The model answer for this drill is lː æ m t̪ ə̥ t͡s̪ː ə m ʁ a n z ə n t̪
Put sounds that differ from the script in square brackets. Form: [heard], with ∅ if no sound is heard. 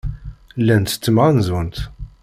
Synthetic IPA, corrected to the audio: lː æ [n] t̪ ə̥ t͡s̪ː ə m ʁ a n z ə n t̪